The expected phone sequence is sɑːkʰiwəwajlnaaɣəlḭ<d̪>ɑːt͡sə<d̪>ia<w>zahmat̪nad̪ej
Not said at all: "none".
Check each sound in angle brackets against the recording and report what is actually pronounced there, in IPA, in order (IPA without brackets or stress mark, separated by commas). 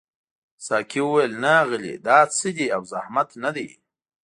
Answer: d̪, d̪, w